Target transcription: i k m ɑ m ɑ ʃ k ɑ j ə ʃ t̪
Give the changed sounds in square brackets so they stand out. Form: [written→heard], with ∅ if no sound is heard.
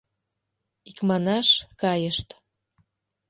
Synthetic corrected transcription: i k m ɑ [m→n] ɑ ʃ k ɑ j ə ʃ t̪